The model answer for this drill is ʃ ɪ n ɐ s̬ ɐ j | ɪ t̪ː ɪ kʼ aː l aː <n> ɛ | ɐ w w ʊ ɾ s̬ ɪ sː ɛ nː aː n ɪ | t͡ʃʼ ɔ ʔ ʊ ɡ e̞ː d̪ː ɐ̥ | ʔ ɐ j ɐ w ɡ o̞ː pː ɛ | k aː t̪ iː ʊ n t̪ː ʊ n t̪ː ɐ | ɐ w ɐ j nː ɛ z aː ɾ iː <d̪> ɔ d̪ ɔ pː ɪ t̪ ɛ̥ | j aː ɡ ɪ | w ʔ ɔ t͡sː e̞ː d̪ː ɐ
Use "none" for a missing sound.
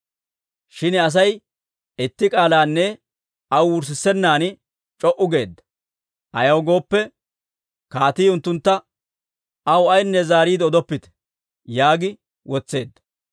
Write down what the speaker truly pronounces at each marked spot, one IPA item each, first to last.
nː, d̪

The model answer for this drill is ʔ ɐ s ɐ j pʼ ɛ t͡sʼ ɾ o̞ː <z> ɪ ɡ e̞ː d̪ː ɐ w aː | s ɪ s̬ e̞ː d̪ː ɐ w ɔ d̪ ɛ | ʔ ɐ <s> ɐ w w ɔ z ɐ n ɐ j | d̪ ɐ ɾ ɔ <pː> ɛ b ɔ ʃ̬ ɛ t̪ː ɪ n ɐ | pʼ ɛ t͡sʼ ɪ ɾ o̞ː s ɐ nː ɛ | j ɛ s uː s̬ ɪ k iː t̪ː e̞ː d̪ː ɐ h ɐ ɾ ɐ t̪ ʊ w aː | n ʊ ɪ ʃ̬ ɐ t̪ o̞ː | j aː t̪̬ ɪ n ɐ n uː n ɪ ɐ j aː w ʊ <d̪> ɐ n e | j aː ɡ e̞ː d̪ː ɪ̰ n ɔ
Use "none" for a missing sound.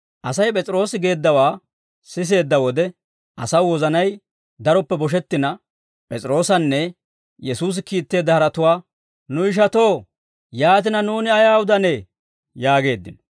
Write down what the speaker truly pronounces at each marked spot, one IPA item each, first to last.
s, s, pː, d̪

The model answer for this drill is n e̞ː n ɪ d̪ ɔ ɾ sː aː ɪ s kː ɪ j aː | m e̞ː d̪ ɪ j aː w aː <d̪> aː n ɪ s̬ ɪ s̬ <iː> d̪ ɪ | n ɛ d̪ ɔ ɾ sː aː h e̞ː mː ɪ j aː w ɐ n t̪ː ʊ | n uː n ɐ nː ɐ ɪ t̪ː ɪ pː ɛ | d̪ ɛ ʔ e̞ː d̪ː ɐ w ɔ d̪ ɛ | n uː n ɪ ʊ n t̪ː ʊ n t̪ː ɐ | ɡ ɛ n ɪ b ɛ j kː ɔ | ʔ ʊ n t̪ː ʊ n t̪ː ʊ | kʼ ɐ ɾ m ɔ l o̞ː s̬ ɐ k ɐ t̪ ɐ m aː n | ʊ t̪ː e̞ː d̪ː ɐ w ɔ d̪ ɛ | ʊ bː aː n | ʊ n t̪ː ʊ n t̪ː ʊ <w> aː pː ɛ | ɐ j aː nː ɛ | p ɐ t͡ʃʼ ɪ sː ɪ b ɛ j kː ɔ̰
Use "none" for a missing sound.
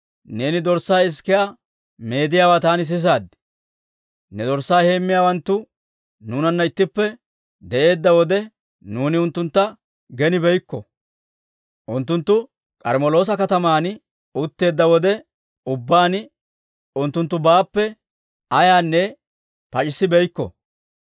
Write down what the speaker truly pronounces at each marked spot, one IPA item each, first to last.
t̪, aː, b

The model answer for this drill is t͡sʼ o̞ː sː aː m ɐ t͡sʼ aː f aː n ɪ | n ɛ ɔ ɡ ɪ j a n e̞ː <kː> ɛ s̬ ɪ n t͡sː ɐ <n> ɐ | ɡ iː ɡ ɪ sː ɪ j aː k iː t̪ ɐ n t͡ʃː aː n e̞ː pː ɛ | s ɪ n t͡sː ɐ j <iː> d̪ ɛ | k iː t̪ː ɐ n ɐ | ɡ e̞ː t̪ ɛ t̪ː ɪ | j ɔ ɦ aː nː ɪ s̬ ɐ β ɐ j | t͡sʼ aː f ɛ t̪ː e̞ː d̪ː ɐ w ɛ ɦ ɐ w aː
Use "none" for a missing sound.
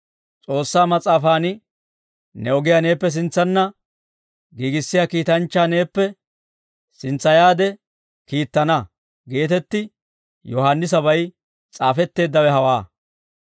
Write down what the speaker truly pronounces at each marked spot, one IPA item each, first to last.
pː, nː, aː

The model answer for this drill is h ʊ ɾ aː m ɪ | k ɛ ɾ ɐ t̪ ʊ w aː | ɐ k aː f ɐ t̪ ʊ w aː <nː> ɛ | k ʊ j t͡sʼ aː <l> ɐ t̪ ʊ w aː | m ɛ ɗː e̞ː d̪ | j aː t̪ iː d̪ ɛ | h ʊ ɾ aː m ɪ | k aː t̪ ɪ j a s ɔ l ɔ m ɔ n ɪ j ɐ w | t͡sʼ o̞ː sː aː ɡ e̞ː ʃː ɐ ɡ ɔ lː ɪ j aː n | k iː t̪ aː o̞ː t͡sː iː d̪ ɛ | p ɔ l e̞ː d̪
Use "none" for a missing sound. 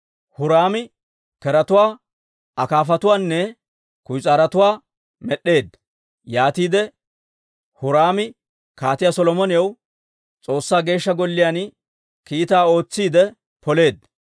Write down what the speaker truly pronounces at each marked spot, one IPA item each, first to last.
nː, ɾ

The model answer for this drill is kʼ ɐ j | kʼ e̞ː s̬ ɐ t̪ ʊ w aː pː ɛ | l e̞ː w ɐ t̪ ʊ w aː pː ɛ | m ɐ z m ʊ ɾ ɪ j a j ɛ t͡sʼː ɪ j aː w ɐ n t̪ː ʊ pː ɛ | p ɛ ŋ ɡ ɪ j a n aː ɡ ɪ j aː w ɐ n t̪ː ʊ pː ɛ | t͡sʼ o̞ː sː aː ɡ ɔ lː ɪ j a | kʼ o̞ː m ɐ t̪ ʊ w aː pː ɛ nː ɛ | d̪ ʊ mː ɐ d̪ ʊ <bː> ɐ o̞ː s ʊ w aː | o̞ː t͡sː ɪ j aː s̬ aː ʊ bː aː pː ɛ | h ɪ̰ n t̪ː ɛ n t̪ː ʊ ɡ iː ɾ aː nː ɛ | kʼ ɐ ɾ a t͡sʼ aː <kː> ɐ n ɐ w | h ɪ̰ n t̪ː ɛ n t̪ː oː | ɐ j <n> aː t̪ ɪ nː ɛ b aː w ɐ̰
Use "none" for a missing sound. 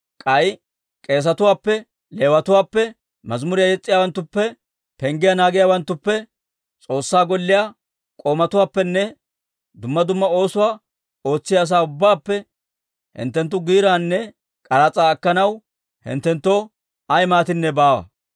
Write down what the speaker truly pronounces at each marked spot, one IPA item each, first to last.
mː, kː, m

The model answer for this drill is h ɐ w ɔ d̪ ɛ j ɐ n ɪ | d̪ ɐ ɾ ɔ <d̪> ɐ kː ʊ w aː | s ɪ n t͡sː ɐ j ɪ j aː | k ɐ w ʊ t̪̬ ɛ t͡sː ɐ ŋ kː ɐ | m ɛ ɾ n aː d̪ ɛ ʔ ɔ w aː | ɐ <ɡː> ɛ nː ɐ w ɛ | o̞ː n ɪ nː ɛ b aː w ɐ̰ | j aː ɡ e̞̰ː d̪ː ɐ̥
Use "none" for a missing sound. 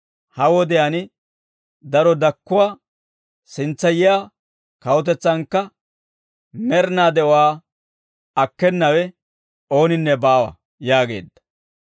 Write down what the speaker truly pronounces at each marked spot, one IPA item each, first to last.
d̪, kː

